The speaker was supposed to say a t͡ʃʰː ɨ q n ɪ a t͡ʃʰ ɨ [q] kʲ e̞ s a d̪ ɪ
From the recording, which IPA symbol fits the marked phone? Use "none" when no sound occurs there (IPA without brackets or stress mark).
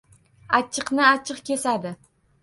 q